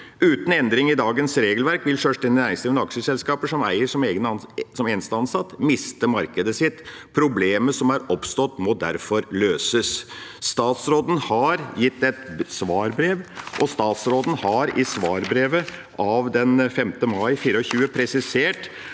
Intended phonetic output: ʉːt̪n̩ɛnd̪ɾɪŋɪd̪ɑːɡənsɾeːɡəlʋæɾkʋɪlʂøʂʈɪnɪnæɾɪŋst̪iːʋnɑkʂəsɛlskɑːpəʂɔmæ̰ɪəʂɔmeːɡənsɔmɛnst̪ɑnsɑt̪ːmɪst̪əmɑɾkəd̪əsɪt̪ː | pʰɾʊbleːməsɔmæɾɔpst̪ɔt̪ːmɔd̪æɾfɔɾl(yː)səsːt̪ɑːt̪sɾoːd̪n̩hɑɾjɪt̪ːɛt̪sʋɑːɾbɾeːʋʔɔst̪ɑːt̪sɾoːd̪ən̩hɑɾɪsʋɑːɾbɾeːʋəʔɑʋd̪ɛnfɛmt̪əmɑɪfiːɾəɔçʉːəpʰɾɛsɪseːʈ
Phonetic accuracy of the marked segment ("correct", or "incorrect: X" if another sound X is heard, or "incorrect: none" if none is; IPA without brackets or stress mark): incorrect: øː